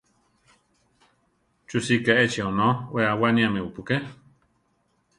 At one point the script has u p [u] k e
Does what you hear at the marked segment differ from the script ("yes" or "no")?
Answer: no